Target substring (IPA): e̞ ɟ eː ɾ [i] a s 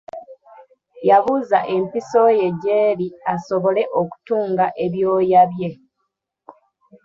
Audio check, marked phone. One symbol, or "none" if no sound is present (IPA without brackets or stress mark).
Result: i